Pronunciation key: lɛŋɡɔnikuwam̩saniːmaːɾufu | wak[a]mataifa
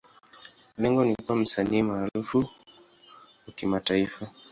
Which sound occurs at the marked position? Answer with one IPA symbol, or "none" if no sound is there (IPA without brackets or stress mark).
i